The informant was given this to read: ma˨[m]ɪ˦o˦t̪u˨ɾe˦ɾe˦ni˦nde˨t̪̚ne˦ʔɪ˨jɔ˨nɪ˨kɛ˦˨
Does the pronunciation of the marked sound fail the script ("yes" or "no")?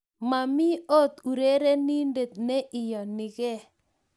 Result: no